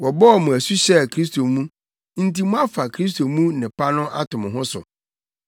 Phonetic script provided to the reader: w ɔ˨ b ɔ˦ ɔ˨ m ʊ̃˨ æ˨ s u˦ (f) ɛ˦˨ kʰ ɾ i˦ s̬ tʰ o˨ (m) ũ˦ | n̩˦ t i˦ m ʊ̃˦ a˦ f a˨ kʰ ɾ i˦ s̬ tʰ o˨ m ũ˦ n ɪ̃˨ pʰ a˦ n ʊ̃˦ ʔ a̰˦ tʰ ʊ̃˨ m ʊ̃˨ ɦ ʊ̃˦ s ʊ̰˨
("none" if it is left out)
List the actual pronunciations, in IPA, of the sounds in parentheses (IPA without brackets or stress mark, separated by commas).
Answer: ɕ, m